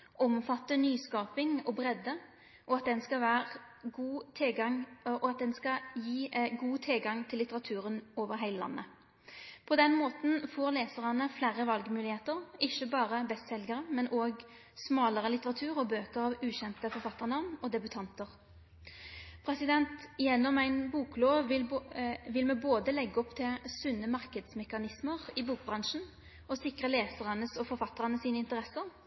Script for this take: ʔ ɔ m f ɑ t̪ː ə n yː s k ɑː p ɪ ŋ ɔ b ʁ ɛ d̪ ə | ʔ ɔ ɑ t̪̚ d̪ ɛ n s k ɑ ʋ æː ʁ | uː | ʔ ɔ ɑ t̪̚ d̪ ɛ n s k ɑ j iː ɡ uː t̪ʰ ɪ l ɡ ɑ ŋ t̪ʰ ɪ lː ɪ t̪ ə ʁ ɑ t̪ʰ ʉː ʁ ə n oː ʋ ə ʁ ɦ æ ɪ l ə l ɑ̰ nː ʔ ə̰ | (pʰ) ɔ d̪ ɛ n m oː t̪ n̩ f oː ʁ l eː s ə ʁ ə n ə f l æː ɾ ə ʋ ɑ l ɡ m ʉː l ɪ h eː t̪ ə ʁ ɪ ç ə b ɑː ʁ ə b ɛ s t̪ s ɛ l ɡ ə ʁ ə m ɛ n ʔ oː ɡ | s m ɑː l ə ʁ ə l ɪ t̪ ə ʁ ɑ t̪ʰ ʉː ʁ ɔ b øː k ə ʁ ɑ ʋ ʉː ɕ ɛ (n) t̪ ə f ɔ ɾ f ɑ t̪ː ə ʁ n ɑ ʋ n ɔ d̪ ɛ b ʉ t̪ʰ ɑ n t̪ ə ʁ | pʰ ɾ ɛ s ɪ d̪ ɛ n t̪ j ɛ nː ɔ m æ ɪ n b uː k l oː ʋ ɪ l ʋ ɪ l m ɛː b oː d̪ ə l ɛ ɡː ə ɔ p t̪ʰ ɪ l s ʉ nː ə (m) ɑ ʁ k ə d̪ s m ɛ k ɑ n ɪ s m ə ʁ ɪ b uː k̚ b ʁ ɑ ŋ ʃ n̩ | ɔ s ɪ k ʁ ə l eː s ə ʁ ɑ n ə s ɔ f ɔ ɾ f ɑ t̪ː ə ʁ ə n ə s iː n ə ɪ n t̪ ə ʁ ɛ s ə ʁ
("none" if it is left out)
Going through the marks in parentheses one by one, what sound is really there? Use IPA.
pʰ, n, m

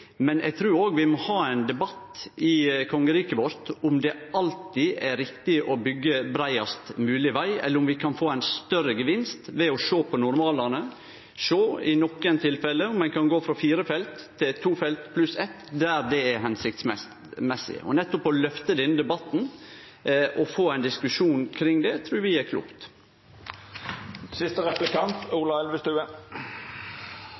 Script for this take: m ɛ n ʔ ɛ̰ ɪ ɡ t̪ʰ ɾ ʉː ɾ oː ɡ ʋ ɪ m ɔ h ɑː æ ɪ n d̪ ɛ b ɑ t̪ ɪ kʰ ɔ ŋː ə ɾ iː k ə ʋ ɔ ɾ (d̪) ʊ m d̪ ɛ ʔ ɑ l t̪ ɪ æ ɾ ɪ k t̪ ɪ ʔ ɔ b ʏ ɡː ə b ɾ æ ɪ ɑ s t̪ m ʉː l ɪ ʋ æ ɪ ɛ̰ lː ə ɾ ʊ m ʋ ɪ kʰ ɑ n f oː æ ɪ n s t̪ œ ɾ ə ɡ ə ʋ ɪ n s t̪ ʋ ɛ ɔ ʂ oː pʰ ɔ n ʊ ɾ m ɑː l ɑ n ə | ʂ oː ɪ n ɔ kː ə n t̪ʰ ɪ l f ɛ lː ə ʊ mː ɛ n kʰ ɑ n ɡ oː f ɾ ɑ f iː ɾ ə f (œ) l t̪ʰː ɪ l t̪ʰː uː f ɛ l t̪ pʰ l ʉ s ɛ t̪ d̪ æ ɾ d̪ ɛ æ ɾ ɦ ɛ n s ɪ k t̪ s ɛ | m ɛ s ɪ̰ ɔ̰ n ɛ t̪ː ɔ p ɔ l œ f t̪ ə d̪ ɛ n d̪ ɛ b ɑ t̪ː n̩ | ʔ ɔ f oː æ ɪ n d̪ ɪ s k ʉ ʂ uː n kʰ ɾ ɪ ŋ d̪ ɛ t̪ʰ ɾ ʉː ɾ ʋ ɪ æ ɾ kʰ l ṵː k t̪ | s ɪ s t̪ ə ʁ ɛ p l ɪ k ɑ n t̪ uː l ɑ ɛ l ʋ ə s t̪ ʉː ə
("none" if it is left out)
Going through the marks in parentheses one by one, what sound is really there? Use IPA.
t̪, ɛ

